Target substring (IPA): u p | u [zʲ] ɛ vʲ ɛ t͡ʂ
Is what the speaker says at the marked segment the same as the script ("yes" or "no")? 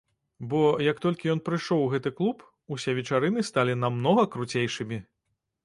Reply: no